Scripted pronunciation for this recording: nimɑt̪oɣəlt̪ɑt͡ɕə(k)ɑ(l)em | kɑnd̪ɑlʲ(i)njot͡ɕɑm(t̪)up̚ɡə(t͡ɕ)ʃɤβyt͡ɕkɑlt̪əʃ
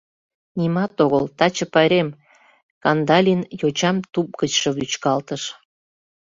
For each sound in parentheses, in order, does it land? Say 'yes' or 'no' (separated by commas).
no, no, yes, yes, yes